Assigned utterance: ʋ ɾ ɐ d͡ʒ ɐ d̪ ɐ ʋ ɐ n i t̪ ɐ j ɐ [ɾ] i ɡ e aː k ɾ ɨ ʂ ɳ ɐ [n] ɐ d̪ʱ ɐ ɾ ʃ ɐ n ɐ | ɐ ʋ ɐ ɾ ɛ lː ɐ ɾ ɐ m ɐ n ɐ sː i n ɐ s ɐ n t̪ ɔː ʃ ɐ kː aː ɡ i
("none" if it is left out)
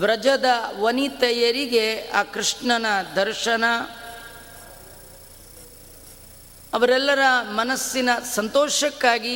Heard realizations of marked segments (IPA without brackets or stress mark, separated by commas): ɾ, n